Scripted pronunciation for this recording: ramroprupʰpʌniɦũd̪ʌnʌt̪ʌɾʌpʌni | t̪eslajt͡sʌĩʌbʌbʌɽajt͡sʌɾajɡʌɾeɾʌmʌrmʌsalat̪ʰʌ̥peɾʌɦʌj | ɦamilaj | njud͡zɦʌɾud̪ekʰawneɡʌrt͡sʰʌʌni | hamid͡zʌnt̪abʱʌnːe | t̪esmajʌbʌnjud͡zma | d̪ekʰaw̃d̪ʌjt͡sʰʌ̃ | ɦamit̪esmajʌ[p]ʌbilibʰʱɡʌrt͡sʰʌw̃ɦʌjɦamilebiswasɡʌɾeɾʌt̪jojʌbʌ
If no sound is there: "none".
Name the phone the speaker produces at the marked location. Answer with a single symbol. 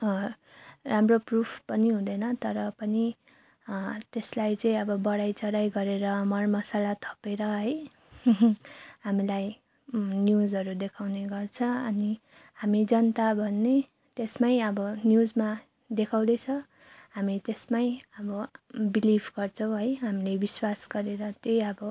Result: b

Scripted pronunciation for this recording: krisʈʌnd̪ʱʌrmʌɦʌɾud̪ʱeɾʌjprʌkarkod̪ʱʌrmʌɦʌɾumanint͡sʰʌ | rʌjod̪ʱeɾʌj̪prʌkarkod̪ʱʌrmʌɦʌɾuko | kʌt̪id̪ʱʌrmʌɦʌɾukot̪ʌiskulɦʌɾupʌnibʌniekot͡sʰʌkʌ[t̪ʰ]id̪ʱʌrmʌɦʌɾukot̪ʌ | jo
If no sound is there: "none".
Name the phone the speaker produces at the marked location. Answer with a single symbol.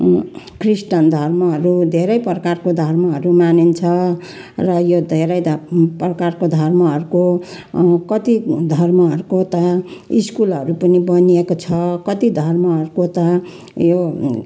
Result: t̪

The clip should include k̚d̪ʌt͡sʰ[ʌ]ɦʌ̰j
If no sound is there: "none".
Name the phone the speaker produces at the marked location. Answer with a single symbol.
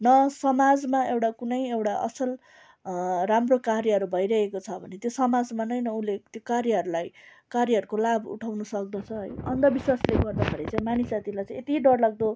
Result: ʌ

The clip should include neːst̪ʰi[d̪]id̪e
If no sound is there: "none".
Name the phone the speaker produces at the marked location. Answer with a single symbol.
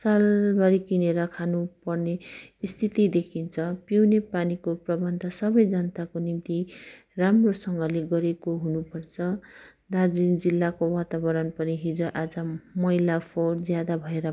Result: t̪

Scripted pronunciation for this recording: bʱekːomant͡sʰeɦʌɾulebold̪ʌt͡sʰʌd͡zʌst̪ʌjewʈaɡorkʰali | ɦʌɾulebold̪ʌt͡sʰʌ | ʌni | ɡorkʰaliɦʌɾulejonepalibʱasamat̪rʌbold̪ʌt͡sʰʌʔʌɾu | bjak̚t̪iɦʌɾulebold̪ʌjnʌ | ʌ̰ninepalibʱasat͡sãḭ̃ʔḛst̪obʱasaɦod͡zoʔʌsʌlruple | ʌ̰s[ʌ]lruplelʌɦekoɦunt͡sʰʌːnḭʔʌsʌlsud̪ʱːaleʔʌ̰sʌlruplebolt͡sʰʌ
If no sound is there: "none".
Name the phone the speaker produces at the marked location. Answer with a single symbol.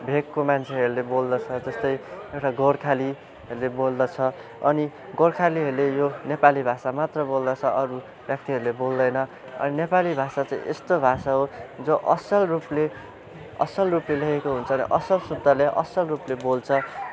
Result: ʌ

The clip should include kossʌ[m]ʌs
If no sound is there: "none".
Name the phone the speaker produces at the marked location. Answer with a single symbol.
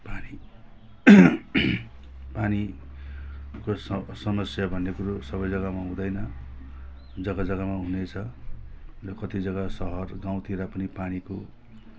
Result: m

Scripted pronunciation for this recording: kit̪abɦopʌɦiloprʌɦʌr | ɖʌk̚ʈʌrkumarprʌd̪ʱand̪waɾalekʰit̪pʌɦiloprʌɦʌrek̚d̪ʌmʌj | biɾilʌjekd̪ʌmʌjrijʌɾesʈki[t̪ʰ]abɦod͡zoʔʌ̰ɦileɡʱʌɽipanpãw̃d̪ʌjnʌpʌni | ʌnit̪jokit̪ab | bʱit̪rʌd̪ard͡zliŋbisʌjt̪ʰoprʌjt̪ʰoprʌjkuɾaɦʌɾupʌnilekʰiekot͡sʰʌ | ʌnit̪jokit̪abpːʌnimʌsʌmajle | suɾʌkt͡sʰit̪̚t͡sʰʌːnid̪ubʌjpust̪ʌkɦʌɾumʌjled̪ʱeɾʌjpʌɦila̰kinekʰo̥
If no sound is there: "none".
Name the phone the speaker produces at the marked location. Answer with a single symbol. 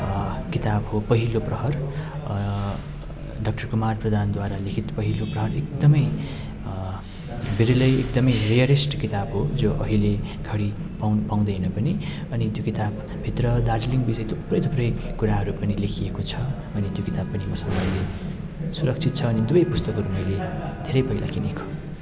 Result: t̪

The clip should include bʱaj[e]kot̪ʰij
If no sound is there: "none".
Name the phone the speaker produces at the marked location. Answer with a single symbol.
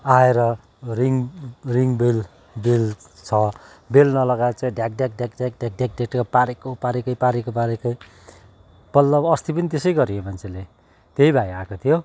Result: a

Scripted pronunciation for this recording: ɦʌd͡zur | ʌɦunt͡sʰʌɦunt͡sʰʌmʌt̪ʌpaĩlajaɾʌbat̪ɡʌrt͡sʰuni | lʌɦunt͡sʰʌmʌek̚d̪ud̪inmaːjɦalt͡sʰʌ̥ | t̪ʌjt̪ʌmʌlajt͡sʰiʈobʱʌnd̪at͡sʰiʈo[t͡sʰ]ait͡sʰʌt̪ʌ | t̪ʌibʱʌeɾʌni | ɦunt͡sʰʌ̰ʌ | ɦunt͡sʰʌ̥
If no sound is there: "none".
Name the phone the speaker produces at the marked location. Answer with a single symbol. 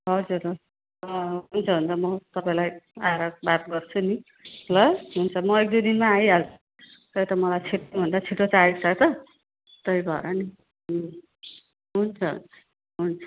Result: t͡s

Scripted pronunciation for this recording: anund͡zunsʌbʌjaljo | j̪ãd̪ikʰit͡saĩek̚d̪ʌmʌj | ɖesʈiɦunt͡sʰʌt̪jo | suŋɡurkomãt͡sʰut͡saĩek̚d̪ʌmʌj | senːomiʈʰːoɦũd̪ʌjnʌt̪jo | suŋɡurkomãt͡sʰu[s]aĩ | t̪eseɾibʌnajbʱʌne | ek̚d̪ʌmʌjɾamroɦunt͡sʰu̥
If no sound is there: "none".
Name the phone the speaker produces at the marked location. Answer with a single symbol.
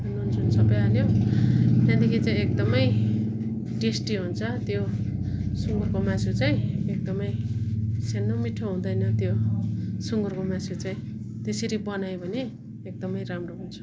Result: t͡s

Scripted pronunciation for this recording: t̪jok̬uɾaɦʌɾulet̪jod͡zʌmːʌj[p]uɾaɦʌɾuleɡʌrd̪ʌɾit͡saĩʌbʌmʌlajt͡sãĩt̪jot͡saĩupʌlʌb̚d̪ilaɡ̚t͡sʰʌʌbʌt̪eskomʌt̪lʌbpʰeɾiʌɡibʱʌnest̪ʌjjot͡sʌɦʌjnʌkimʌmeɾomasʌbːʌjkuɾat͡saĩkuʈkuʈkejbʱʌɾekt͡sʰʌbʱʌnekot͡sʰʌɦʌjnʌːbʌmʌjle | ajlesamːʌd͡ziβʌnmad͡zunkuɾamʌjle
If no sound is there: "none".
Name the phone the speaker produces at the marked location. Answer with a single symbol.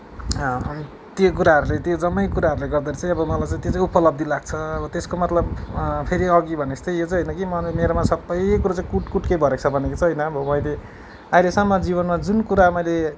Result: k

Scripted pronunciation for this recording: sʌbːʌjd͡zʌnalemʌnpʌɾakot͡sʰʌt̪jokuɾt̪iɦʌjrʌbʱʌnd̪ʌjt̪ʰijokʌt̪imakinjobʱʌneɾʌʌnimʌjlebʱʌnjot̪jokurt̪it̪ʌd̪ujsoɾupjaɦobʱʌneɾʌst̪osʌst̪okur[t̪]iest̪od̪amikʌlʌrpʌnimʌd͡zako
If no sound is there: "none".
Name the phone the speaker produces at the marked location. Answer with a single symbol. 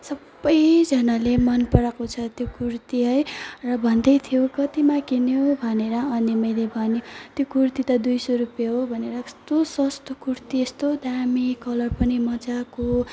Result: t̪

